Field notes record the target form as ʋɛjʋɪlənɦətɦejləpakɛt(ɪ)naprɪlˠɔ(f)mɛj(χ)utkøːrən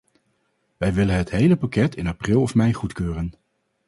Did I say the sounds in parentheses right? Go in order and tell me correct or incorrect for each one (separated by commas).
correct, correct, correct